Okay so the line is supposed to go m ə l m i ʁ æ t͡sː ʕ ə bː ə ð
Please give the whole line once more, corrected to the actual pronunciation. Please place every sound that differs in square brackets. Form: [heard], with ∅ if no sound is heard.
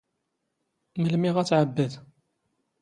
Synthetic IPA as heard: m ə l m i ʁ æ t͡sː ʕ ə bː ə ð